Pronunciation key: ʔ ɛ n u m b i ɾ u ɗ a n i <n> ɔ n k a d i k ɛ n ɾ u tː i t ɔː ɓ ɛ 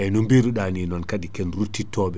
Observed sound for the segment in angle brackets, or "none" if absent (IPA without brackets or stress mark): n